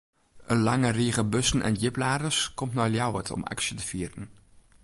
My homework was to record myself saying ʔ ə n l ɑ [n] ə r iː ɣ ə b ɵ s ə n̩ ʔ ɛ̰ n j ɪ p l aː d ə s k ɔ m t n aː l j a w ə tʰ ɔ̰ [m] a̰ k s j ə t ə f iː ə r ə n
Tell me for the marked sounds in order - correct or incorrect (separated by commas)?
incorrect, correct